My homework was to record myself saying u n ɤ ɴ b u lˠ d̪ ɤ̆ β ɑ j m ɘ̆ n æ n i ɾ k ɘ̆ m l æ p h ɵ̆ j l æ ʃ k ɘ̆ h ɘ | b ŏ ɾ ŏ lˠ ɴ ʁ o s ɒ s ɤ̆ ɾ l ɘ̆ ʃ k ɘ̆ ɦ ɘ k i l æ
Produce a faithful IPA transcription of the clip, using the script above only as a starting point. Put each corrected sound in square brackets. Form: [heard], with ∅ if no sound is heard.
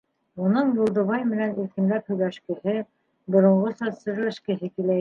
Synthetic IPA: u n ɤ ɴ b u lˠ d̪ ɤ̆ β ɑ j m ɘ̆ n æ n i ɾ k ɘ̆ m l æ p h ɵ̆ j l æ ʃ k ɘ̆ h ɘ | b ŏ ɾ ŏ [∅] ɴ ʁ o s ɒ s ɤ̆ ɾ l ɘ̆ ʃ k ɘ̆ ɦ ɘ k i l æ